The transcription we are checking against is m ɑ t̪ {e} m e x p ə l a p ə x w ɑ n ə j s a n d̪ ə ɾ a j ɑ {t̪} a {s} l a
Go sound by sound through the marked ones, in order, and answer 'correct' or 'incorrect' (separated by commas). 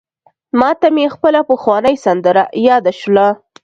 incorrect, incorrect, incorrect